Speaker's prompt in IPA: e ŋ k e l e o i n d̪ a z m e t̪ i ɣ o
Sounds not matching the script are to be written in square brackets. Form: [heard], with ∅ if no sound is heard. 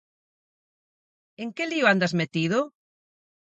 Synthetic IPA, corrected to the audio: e ŋ k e l [i] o [a] n d̪ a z m e t̪ i [ð] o